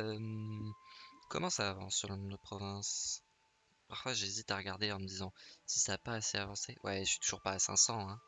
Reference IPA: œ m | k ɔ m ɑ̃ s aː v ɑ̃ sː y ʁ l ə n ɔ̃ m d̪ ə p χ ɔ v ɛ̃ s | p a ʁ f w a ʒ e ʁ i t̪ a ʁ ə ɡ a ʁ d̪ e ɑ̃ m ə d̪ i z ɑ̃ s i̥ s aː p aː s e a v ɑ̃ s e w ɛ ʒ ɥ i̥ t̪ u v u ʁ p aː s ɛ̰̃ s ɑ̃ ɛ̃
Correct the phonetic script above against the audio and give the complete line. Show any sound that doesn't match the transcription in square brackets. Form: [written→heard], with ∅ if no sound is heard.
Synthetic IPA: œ m | k ɔ m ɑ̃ s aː v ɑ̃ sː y ʁ l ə n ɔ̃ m d̪ ə p χ ɔ v ɛ̃ s | p a ʁ f w a ʒ e [ʁ→z] i t̪ a ʁ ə ɡ a ʁ d̪ e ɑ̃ m ə d̪ i z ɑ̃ s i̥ s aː p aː s e a v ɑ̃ s e w ɛ [ʒ→ʃ] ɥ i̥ t̪ u [v→ʒ] u ʁ p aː s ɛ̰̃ s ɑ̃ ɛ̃